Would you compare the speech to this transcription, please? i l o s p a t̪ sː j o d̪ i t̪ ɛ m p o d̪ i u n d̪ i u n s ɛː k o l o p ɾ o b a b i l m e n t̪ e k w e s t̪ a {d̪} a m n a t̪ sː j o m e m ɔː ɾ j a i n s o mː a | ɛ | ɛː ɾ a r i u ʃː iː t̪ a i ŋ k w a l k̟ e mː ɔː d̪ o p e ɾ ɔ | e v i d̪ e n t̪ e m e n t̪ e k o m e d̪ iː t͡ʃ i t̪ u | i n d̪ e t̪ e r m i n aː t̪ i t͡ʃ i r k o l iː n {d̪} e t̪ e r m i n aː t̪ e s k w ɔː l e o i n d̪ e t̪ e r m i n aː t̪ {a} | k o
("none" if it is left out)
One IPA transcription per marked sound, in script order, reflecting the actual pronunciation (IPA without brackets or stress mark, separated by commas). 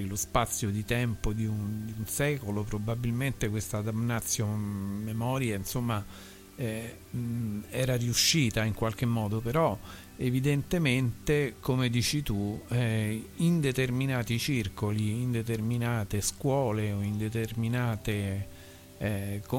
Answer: d̪, d̪, e